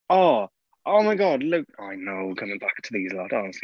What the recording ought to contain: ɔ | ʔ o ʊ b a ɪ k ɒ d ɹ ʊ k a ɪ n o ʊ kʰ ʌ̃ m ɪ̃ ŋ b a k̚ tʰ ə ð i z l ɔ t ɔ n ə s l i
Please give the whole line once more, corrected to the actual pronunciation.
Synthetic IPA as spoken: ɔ | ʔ o ʊ m a ɪ ɡ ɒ d l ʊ k a ɪ n o ʊ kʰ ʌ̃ m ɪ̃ ŋ b a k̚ tʰ ə ð i z l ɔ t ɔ n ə s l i